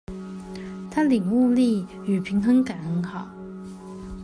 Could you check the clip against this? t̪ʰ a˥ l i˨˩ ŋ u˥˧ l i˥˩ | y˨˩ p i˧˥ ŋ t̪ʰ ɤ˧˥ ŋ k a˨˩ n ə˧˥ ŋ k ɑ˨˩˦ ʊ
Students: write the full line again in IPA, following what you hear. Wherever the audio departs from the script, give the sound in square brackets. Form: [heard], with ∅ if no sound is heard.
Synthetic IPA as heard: t̪ʰ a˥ l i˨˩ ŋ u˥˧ l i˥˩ | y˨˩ [pʰ] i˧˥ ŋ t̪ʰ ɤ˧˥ ŋ k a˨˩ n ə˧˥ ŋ [x] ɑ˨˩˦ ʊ

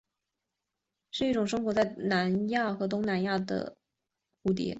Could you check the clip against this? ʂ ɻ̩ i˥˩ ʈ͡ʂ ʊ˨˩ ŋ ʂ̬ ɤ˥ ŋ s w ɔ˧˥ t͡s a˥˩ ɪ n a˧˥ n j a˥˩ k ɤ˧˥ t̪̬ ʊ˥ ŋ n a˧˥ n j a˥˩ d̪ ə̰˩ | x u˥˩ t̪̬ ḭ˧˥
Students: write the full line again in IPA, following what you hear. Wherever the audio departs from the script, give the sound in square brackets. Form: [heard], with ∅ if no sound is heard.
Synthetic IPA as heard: ʂ ɻ̩ i˥˩ ʈ͡ʂ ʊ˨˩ ŋ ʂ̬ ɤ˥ ŋ [x] w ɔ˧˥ t͡s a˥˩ ɪ n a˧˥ n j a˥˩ [x] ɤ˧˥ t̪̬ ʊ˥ ŋ n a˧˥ n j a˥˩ d̪ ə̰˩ | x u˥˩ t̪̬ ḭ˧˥

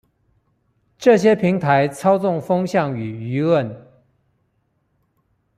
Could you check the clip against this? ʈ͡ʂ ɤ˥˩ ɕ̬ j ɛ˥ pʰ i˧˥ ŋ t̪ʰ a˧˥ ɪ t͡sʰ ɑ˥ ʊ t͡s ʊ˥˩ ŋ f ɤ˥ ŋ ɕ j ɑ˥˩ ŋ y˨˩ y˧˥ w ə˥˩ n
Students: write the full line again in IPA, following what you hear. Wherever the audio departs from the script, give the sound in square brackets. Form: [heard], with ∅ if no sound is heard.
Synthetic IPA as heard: ʈ͡ʂ ɤ˥˩ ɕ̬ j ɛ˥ pʰ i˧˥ ŋ t̪ʰ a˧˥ ɪ t͡sʰ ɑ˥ ʊ t͡s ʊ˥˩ ŋ f ɤ˥ ŋ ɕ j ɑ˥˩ ŋ y˨˩ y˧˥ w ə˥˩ n

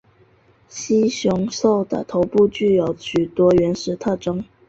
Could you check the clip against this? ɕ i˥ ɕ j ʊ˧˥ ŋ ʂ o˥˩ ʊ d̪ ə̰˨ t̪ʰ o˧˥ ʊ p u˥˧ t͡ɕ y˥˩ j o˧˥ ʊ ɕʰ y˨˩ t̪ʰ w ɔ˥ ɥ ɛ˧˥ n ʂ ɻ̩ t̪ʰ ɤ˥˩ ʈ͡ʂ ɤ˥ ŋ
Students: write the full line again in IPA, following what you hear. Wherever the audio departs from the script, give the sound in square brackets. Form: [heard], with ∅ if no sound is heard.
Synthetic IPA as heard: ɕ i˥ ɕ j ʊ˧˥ ŋ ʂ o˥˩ ʊ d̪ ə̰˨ t̪ʰ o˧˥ ʊ p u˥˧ t͡ɕ y˥˩ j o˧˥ ʊ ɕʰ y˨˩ [t̪] w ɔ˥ ɥ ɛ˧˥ n ʂ ɻ̩ t̪ʰ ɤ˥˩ ʈ͡ʂ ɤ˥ ŋ

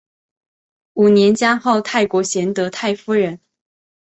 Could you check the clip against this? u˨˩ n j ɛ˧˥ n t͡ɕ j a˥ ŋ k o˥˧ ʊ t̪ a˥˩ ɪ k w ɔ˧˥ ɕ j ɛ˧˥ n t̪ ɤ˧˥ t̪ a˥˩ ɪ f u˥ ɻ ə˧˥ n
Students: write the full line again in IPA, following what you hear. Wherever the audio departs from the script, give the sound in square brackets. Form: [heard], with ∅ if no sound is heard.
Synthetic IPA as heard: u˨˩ n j ɛ˧˥ n t͡ɕ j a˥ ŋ [x] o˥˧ ʊ [t̪ʰ] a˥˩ ɪ k w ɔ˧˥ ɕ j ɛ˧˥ n t̪ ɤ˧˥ [t̪ʰ] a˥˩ ɪ f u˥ ɻ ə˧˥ n

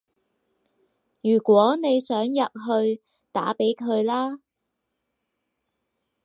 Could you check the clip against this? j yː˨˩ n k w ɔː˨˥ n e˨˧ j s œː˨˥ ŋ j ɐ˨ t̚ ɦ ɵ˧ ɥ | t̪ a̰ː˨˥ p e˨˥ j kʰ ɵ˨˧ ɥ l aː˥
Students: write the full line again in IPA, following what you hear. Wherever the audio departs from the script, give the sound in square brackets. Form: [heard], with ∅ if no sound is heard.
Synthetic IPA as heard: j yː˨˩ [∅] k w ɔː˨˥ n e˨˧ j s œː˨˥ ŋ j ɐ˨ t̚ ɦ ɵ˧ ɥ | t̪ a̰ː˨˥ p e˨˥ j kʰ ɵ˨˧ ɥ l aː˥

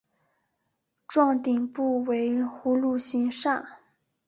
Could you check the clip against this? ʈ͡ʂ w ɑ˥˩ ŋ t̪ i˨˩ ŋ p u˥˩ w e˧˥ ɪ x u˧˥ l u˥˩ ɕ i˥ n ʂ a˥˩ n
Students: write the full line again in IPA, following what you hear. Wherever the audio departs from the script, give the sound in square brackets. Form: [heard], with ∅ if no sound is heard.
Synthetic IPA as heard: ʈ͡ʂ w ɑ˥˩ ŋ t̪ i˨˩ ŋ p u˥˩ w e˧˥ ɪ x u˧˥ l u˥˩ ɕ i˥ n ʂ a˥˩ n

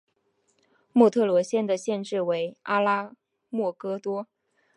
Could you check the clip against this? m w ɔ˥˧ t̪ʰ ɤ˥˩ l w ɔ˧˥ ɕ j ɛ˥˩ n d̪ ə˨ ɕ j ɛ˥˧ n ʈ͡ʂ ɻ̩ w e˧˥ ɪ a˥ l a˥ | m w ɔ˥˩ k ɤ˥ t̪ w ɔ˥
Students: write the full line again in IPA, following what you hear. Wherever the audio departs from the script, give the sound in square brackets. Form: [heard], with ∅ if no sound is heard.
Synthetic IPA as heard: m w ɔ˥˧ t̪ʰ ɤ˥˩ l w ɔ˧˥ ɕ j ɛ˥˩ n d̪ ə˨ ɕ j ɛ˥˧ n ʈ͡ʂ ɻ̩ w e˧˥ ɪ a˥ l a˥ | m w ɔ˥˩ k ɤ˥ t̪ w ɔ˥

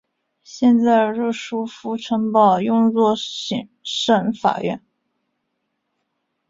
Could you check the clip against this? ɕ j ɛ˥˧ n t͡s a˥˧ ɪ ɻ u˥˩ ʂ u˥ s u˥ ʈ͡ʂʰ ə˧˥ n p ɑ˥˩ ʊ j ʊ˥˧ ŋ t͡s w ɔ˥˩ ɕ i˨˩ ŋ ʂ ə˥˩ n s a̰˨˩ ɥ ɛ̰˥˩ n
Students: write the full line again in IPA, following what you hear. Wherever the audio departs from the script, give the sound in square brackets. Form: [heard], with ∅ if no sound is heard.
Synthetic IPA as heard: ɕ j ɛ˥˧ n t͡s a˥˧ ɪ ɻ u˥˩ ʂ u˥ [f] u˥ ʈ͡ʂʰ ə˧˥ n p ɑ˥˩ ʊ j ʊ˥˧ ŋ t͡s w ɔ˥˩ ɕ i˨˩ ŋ ʂ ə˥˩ n [f] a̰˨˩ ɥ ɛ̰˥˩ n

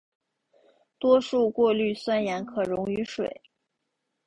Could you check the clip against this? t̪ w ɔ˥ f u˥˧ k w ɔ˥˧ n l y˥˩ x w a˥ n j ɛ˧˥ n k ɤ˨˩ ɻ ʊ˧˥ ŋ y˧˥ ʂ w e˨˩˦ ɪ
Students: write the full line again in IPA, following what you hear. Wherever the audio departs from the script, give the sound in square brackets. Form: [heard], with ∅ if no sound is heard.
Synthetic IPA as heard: t̪ w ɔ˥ [ʂ] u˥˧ k w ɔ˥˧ [∅] l y˥˩ [s] w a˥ n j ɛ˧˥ n [kʰ] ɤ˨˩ ɻ ʊ˧˥ ŋ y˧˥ ʂ w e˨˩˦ ɪ

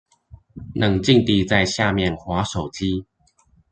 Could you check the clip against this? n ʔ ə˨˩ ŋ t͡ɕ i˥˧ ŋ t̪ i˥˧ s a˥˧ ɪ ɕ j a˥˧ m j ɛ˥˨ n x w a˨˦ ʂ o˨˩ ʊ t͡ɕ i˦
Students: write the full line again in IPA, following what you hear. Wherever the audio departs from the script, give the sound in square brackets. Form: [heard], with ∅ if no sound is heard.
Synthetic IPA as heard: n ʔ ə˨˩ ŋ t͡ɕ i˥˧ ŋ t̪ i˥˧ [t͡s] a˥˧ ɪ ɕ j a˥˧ m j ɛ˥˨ n x w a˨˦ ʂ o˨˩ ʊ t͡ɕ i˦

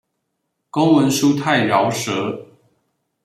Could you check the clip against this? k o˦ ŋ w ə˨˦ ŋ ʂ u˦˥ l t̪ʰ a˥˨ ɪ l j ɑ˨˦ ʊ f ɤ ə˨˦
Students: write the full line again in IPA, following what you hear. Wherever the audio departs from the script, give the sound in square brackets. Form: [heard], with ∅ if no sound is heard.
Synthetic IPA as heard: k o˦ ŋ w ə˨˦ [n] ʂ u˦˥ [∅] t̪ʰ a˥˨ ɪ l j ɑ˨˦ ʊ [ʂ] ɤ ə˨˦

